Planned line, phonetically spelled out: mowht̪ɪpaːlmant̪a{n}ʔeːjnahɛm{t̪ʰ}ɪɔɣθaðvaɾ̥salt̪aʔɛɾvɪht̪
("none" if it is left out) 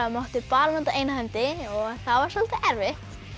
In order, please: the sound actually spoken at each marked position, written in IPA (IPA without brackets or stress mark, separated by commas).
none, t̪